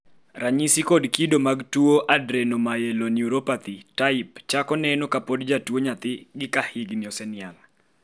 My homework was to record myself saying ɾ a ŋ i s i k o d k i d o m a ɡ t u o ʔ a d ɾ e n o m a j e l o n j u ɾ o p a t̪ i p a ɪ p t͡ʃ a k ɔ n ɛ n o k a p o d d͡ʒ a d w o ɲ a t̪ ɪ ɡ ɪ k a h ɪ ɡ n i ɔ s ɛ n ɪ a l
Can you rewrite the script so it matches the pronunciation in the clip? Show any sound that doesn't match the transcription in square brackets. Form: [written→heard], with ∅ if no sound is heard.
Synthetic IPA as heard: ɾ a [ŋ→ɲ] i s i k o d k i d o m a ɡ t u o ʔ a d ɾ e n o m a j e l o n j u ɾ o p a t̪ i [p→t] a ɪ p t͡ʃ a k ɔ n ɛ n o k a p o d d͡ʒ a [d→t] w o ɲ a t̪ ɪ ɡ ɪ k a h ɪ ɡ n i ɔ s ɛ n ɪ a l